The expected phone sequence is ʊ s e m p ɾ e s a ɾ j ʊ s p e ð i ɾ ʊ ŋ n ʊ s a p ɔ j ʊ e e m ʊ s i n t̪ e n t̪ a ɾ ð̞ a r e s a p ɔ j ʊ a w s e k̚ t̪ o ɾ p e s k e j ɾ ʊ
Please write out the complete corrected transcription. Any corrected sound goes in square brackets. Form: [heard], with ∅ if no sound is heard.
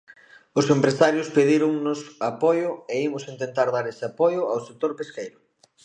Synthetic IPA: ʊ s e m p ɾ e s a ɾ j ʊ s p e ð i ɾ ʊ ŋ n ʊ s a p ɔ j ʊ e [i] m ʊ s i n t̪ e n t̪ a ɾ ð̞ a [ɾ] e s a p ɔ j ʊ a w s e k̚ t̪ o ɾ p e s k e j ɾ ʊ

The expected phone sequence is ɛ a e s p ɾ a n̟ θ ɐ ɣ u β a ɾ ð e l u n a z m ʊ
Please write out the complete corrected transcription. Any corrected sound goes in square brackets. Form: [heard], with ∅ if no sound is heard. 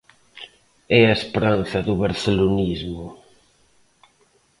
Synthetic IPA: ɛ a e s p ɾ a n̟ θ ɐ [ð] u β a ɾ [θ] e l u n [i] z m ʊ

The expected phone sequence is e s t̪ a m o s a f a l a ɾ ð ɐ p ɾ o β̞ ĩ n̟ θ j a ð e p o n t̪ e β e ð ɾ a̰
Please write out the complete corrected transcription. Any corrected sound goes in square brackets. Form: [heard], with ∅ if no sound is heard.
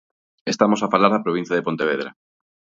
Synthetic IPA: e s t̪ a m o s a f a l a ɾ ð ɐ p ɾ o β̞ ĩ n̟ θ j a ð e p o n t̪ e β e ð ɾ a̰

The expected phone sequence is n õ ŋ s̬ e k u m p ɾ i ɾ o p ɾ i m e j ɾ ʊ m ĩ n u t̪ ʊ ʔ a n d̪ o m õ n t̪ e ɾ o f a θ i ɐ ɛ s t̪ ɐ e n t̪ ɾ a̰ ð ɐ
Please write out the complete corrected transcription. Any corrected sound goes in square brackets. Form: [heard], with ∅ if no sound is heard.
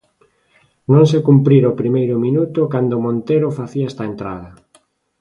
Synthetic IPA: n õ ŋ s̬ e k u m p ɾ i ɾ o p ɾ i m e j ɾ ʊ m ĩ n u t̪ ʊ [k] a n d̪ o m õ n t̪ e ɾ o f a θ i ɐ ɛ s t̪ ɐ e n t̪ ɾ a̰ ð ɐ

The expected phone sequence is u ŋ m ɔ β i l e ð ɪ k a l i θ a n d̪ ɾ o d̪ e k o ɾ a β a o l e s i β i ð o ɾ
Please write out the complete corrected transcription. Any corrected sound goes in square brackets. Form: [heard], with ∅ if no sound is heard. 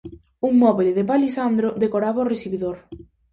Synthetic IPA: u ŋ m ɔ β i l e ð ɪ [p] a l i [s] a n d̪ ɾ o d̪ e k o ɾ a β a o [r] e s i β i ð o ɾ

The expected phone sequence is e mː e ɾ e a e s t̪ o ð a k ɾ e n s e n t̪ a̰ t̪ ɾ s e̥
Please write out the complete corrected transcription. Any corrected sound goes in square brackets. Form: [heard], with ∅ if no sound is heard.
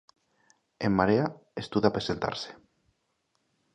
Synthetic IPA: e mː [a] ɾ e a e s t̪ [u] ð a [p] ɾ e [∅] s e n t̪ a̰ [∅] ɾ s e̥

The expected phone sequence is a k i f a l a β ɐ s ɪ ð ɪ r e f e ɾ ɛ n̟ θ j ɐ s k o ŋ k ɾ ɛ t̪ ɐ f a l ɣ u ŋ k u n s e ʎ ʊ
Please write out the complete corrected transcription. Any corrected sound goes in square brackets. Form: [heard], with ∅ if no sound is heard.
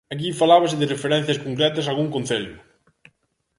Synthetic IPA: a k i f a l a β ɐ s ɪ ð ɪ r e f e ɾ ɛ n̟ θ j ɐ s k o ŋ k ɾ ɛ t̪ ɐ [s] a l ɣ u ŋ k [o] n [θ] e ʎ ʊ

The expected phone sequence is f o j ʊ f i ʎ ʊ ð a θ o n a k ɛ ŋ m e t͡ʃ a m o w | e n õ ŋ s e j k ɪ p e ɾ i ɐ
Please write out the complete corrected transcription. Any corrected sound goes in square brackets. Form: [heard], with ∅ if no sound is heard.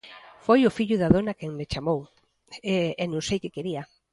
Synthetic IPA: f o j ʊ f i ʎ ʊ ð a [ð] o n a k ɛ ŋ m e t͡ʃ a m o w | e n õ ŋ s e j k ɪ [k] e ɾ i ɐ

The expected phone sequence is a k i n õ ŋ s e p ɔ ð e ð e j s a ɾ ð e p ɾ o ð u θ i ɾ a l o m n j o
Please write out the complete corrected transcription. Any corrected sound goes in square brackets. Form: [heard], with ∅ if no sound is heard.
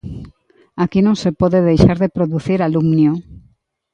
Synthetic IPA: a k i n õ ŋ s e p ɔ ð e ð e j [ʃ] a ɾ ð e p ɾ o ð u θ i ɾ a l [u] m n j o

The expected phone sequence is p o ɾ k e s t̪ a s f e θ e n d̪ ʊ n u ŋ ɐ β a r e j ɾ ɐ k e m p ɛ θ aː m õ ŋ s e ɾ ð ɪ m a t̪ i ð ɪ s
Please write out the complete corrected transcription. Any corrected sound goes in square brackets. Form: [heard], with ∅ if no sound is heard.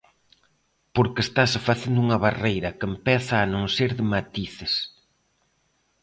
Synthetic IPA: p o ɾ k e s t̪ a s f [a] θ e n d̪ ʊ [∅] u ŋ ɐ β a r e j ɾ ɐ k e m p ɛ θ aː [n] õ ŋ s e ɾ ð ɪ m a t̪ i [θ] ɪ s

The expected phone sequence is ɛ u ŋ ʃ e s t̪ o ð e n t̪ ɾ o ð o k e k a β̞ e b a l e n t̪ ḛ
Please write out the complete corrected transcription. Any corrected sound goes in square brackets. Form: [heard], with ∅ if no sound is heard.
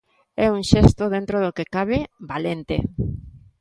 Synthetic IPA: ɛ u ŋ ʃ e s t̪ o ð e n t̪ ɾ o ð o k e k a β̞ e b a l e n t̪ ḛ

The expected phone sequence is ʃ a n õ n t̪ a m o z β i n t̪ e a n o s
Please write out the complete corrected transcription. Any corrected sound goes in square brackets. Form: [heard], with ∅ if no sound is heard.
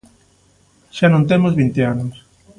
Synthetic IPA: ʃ a n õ n t̪ [e] m o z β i n t̪ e a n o s

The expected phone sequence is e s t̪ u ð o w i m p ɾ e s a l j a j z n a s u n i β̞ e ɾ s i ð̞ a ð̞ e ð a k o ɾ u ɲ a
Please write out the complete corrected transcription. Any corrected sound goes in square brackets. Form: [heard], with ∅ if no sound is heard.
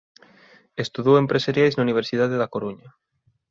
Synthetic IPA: e s t̪ u ð o w [e] m p ɾ e s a [ɾ] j a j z n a [∅] u n i β̞ e ɾ s i ð̞ a ð̞ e ð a k o ɾ u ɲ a

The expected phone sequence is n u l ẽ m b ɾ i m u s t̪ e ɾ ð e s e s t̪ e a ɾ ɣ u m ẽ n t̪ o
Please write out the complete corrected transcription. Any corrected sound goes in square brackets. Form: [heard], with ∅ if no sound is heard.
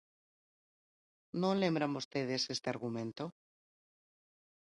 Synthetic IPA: n [o] l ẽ m b ɾ [a] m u s t̪ e [∅] ð e s e s t̪ e a ɾ ɣ u m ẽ n t̪ o

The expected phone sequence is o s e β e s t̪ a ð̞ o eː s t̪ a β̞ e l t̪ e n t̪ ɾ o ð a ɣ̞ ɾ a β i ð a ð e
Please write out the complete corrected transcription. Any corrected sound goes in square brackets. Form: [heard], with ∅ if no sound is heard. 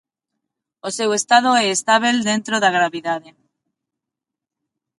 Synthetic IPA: o s e [w] e s t̪ a ð̞ o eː s t̪ a β̞ e l [d̪] e n t̪ ɾ o ð a ɣ̞ ɾ a β i ð a ð e

